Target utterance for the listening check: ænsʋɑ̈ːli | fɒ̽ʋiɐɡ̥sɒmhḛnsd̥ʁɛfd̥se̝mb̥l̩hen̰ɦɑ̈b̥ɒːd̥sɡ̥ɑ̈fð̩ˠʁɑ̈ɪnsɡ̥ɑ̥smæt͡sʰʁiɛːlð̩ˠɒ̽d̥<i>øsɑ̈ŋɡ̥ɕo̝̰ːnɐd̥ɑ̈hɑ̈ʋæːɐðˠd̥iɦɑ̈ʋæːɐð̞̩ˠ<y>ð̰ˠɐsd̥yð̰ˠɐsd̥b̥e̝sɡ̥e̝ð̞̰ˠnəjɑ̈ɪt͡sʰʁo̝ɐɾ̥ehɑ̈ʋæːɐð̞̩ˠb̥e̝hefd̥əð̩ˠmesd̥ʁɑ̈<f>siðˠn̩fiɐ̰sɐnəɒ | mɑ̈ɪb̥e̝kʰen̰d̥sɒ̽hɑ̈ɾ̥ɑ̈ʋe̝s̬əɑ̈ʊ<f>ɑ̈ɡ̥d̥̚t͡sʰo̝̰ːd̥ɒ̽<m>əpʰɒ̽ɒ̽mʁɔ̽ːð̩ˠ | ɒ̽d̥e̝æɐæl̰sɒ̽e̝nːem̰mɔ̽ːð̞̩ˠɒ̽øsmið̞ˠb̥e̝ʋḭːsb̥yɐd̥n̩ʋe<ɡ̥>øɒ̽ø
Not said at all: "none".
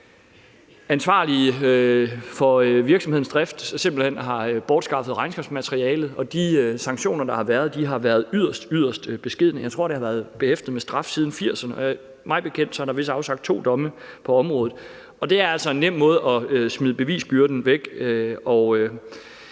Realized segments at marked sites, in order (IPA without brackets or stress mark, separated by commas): i, y, f, s, m, ɡ̥